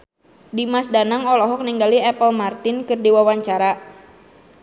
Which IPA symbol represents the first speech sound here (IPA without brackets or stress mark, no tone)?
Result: d